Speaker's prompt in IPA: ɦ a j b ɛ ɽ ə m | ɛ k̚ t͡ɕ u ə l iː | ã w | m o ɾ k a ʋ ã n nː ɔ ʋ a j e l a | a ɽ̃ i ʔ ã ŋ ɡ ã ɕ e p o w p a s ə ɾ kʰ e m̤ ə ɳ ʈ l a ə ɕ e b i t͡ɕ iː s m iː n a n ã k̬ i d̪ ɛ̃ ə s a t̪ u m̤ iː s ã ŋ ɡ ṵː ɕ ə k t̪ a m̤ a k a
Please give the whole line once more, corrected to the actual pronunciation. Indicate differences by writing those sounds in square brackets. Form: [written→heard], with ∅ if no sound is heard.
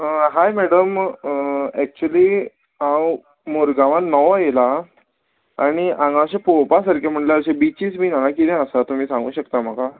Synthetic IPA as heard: ɦ a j [b→m] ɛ ɽ ə m | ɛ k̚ t͡ɕ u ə l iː | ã w | m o ɾ [k→ɡ] a ʋ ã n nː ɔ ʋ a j e l a | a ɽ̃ i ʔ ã ŋ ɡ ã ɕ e p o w p a s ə ɾ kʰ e m̤ ə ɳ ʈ l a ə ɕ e b i t͡ɕ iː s m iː n a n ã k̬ i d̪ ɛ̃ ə s a t̪ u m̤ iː s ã ŋ ɡ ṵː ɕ ə k t̪ a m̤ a k a